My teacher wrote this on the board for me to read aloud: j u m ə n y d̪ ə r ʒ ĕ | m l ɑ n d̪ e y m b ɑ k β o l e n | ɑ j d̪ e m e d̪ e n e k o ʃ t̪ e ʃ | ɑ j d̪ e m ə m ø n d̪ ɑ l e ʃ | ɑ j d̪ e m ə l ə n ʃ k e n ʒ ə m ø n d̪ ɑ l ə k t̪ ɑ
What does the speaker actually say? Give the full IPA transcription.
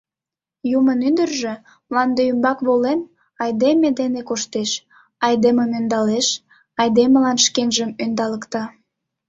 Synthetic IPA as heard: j u m ə n y d̪ ə r ʒ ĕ | m l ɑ n d̪ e y m b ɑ k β o l e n | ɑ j d̪ e m e d̪ e n e k o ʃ t̪ e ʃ | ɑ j d̪ e m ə m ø n d̪ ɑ l e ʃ | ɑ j d̪ e m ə l ɑ n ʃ k e n ʒ ə m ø n d̪ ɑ l ə k t̪ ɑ